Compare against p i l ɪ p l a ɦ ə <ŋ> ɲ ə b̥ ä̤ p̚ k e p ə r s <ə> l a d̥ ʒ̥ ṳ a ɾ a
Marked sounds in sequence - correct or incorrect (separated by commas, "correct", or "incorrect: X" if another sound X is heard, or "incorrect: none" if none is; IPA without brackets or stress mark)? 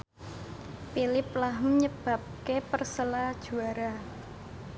incorrect: m, correct